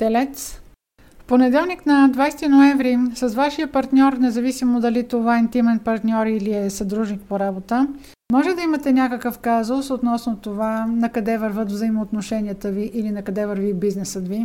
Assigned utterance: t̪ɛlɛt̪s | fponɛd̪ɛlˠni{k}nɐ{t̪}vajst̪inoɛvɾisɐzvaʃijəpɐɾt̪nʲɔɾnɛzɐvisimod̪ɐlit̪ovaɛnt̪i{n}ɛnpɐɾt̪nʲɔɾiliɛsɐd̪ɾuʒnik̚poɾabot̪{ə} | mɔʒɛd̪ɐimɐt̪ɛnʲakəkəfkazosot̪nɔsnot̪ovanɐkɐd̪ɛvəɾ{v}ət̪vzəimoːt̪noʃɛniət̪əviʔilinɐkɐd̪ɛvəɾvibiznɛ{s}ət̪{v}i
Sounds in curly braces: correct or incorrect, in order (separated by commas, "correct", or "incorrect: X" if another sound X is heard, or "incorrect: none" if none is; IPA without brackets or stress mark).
correct, incorrect: d̪, incorrect: m, correct, correct, correct, correct